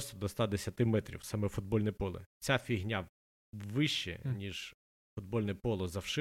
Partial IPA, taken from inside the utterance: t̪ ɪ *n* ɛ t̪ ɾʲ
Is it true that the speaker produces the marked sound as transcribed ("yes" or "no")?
no